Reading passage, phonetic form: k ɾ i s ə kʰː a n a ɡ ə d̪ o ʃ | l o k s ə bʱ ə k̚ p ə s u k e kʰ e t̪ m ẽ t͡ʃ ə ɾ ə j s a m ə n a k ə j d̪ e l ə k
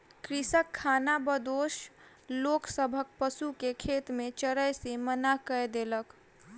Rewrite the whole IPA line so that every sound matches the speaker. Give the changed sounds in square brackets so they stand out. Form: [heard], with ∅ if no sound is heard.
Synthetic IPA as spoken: k ɾ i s ə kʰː a n a [b] ə d̪ o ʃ | l o k s ə bʱ ə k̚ p ə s u k e kʰ e t̪ m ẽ t͡ʃ ə ɾ ə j s [e] m ə n a k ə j d̪ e l ə k